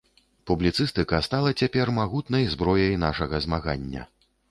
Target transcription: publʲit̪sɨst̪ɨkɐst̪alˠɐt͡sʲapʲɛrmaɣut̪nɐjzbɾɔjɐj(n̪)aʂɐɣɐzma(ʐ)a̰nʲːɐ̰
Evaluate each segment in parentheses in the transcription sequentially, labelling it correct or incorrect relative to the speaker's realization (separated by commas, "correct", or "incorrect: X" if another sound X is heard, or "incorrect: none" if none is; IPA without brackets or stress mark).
correct, incorrect: ɣ